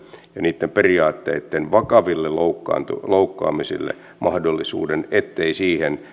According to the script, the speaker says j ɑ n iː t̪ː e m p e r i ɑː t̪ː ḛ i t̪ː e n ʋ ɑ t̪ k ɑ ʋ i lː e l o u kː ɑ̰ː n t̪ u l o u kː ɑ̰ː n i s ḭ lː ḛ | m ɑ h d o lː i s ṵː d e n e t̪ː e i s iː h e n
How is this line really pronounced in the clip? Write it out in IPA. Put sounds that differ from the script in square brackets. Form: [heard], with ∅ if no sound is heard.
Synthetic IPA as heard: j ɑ n iː t̪ː e m p e r i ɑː t̪ː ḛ i t̪ː e n ʋ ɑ [∅] k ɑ ʋ i lː e l o u kː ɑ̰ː n t̪ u l o u kː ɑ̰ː [m] i s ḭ lː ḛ | m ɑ h d o lː i s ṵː d e n e t̪ː e i s iː h e n